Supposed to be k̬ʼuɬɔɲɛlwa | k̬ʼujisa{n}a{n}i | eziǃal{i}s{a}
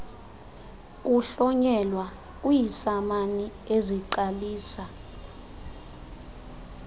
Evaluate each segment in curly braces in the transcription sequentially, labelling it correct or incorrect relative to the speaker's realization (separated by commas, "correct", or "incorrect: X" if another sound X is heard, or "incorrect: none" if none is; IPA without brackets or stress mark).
incorrect: m, correct, incorrect: iː, correct